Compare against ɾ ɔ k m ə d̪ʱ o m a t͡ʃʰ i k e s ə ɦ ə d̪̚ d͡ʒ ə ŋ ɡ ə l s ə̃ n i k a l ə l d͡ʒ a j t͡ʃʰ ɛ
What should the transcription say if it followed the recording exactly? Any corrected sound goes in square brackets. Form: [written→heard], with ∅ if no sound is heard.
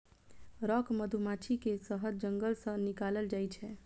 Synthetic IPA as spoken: ɾ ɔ k m ə d̪ʱ [o→u] m a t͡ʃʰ i k e s ə ɦ ə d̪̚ d͡ʒ ə ŋ ɡ ə l s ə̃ n i k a l ə l d͡ʒ a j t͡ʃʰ ɛ